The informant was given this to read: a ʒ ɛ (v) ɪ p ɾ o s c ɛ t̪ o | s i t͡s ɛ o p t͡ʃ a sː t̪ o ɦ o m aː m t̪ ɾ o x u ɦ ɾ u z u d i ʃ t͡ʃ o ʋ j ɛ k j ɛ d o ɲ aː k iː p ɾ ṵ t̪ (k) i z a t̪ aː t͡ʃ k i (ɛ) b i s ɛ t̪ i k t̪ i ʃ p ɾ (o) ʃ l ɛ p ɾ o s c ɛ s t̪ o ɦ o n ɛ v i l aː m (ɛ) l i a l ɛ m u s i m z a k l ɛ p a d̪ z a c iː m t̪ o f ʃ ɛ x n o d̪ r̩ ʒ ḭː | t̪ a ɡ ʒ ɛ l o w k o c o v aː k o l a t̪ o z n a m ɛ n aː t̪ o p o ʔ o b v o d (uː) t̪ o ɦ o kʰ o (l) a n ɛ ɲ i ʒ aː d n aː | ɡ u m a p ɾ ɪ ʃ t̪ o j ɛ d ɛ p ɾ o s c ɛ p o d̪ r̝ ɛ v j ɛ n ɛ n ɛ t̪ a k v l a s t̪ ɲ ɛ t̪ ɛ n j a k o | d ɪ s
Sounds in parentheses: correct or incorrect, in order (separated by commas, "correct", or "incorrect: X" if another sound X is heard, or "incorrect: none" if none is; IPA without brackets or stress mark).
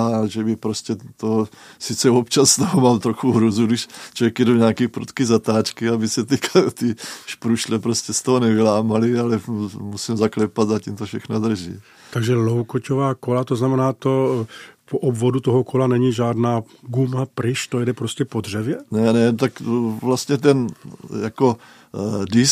incorrect: b, correct, incorrect: a, incorrect: u, incorrect: a, incorrect: u, correct